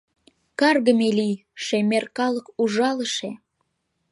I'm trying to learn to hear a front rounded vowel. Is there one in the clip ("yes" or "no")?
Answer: no